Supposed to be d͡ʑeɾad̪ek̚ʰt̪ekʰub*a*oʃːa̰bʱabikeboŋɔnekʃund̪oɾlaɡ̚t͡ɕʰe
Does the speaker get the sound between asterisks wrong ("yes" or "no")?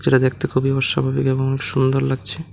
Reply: yes